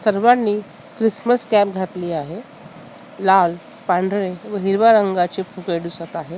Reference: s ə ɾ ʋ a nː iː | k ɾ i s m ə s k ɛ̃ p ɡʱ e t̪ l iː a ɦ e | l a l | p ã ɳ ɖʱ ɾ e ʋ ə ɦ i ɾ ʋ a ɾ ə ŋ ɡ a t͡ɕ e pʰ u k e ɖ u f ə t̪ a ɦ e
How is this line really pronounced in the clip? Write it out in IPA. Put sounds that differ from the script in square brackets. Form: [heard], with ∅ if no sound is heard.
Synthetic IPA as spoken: s ə ɾ ʋ a nː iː | k ɾ i s m ə s k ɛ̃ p ɡʱ [a] t̪ l iː a ɦ e | l a l | p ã ɳ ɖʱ ɾ e ʋ ə ɦ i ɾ ʋ a ɾ ə ŋ ɡ a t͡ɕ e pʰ u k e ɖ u [s] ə t̪ a ɦ e